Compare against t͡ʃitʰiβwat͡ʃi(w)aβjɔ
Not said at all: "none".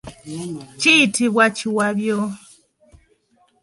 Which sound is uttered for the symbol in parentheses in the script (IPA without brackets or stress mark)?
w